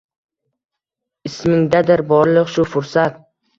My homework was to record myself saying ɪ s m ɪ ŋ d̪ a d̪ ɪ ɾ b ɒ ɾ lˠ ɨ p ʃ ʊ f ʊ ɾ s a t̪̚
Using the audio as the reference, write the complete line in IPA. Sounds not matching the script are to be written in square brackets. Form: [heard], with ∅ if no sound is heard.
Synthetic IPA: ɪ s m ɪ ŋ d̪ a d̪ ɪ ɾ b ɒ ɾ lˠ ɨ [q] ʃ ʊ f ʊ ɾ s a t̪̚